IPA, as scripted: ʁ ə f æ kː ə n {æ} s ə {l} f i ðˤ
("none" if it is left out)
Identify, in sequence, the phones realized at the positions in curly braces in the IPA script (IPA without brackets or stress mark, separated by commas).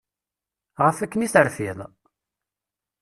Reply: i, ɾ